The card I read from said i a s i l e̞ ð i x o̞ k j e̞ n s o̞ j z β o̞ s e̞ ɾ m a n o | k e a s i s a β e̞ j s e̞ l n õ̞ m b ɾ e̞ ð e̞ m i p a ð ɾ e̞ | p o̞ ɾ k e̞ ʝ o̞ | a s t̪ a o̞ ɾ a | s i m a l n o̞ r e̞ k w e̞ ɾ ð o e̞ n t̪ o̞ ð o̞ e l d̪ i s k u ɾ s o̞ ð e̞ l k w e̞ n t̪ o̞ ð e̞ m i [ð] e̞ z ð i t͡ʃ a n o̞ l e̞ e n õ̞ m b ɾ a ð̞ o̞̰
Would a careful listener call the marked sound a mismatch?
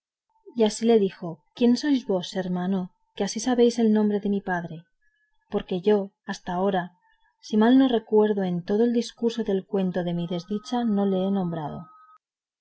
no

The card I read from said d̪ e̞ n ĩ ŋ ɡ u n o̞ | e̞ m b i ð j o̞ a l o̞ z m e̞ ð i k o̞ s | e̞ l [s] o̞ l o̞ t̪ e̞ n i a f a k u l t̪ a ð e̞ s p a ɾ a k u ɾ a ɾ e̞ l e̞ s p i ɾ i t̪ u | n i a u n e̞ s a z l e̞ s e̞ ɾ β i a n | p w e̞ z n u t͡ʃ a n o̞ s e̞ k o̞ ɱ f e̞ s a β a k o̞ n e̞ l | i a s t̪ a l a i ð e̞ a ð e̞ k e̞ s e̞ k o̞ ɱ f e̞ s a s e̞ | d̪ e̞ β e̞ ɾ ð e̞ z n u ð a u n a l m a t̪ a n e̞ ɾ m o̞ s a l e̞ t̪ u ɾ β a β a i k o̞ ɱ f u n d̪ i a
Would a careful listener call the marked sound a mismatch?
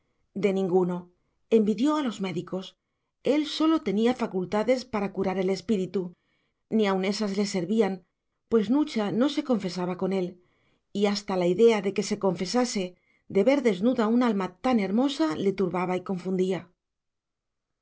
no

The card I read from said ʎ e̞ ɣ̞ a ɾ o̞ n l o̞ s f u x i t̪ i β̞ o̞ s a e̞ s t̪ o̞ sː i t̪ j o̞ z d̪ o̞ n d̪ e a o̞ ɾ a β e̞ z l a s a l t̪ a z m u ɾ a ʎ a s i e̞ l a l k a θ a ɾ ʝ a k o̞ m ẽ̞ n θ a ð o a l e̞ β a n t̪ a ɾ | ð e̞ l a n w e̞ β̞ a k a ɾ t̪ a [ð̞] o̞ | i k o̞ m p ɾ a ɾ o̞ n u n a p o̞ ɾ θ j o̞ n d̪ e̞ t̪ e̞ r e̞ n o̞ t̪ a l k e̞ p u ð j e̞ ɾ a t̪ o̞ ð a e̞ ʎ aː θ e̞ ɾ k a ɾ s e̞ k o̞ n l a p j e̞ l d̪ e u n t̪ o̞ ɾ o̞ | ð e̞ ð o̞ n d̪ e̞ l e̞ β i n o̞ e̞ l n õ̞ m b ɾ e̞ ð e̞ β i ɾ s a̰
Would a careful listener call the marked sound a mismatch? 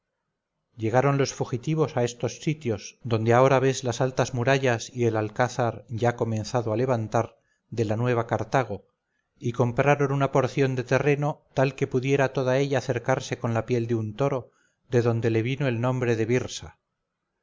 yes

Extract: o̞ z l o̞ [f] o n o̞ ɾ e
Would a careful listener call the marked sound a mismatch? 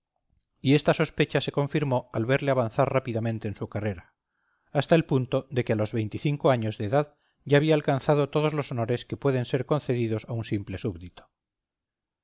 yes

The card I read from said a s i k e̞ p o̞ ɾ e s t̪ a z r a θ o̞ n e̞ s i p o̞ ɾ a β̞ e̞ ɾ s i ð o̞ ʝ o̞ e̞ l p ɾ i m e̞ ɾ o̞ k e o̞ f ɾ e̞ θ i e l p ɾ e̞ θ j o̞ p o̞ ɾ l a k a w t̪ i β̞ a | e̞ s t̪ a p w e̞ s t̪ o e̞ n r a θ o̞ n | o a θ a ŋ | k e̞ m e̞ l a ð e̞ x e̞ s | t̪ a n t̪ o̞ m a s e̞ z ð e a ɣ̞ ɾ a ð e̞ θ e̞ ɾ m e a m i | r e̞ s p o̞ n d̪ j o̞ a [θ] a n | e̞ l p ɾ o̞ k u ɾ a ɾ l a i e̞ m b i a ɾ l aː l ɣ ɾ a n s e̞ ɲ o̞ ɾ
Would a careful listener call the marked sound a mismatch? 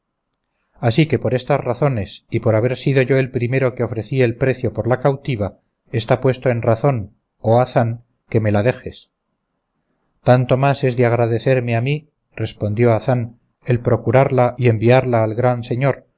no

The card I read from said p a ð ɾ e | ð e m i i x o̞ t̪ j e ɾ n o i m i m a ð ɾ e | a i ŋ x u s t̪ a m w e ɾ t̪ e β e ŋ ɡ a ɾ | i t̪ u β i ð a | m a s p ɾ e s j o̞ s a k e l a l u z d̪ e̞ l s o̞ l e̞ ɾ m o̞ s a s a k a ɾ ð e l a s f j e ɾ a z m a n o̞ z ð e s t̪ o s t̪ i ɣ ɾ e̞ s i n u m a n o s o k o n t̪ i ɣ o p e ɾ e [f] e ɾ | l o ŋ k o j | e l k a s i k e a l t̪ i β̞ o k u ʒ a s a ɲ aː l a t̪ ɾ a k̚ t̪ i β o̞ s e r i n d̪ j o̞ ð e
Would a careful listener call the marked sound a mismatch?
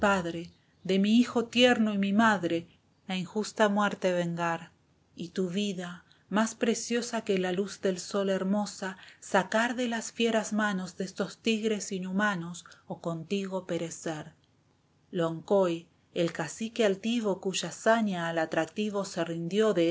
yes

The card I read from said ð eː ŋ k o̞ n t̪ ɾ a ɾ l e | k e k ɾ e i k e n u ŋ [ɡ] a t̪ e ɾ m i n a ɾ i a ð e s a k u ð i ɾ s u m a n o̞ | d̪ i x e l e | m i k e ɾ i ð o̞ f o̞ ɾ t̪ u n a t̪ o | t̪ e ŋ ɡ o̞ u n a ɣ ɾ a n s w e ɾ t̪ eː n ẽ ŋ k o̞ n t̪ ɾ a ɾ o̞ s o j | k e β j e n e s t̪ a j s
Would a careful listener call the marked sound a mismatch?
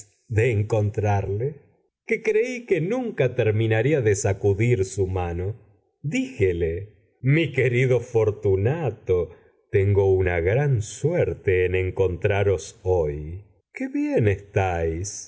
yes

